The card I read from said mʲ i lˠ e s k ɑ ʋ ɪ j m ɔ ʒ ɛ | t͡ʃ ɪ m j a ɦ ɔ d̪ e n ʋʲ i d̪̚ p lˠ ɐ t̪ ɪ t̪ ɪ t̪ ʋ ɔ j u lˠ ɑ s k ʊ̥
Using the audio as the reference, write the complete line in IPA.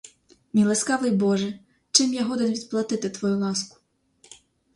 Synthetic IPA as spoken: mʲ i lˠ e s k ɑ ʋ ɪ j b ɔ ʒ ɛ | t͡ʃ ɪ m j a ɦ ɔ d̪ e n ʋʲ i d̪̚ p lˠ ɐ t̪ ɪ t̪ ɪ t̪ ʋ ɔ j u lˠ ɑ s k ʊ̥